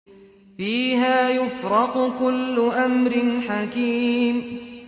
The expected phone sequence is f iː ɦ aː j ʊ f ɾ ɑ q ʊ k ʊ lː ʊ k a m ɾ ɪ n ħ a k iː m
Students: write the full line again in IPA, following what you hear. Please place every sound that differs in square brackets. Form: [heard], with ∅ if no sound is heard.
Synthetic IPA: f iː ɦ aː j ʊ f ɾ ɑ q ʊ k ʊ lː ʊ [ʔ] a m ɾ ɪ n ħ a k iː m